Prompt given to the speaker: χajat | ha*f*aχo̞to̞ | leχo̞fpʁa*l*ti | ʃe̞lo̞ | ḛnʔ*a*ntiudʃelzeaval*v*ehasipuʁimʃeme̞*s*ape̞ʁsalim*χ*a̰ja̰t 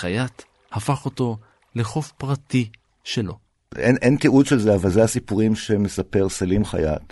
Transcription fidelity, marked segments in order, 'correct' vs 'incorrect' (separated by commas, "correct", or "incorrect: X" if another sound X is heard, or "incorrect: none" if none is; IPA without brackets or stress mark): correct, incorrect: none, incorrect: e, incorrect: z, correct, correct